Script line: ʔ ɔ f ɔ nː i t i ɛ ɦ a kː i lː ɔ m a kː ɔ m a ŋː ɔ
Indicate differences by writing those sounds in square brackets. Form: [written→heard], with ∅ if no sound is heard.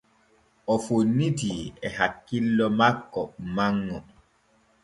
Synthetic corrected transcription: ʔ ɔ f [ɔ→o] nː i t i ɛ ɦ a kː i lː ɔ m a kː ɔ m a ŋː ɔ

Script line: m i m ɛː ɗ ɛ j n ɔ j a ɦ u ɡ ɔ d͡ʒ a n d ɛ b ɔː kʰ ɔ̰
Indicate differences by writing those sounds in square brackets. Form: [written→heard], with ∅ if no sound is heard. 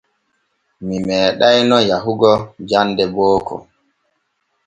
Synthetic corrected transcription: m i m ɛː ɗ [ɛ→a] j n ɔ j a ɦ u ɡ ɔ d͡ʒ a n d ɛ b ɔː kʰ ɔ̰

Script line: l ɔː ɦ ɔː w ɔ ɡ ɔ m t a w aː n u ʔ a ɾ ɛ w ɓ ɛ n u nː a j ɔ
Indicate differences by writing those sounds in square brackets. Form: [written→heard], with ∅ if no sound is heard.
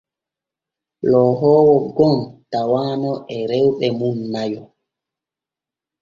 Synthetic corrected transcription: l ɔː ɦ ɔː w ɔ ɡ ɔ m t a w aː n [u→ɔ] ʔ [a→ɛ] ɾ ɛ w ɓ ɛ [n→m] u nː a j ɔ

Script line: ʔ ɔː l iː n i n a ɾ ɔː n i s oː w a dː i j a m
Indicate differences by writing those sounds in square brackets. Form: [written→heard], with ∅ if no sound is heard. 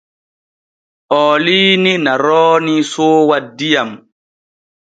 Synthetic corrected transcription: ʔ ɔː l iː n i n a ɾ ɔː n i s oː w a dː i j a m

